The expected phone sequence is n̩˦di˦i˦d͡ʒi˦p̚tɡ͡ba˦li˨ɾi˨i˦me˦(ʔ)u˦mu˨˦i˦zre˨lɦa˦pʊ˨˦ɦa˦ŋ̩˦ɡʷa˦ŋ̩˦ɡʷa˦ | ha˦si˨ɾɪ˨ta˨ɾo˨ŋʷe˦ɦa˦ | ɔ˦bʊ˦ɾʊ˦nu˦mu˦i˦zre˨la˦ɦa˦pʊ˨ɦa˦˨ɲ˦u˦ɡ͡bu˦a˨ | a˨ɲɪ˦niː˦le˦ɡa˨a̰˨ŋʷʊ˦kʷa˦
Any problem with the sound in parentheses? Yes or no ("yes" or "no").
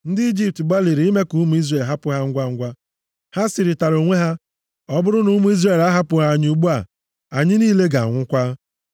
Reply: yes